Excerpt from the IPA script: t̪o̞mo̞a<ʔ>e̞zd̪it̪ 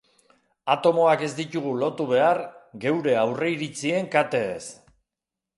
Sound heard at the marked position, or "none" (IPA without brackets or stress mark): k